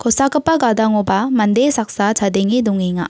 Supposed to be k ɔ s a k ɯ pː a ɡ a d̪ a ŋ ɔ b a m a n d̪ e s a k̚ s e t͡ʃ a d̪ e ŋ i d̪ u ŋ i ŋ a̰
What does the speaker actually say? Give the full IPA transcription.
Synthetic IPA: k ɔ s a k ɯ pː a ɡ a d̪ a ŋ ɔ b a m a n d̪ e s a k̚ s a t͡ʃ a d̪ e ŋ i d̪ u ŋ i ŋ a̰